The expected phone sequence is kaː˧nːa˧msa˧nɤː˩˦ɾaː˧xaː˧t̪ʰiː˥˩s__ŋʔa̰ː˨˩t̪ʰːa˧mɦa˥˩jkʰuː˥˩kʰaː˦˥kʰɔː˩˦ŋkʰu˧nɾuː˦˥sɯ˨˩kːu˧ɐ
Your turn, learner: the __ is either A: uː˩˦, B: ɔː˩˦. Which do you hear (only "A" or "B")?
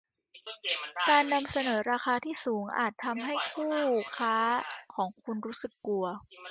A